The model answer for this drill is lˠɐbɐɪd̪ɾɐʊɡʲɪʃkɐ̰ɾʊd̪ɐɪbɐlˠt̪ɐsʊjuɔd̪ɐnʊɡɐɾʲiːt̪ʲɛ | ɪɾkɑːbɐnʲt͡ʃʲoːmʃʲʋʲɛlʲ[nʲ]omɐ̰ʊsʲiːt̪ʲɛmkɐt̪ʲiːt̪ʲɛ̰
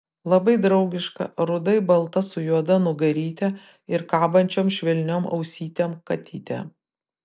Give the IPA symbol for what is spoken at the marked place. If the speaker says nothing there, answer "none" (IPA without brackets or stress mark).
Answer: nʲ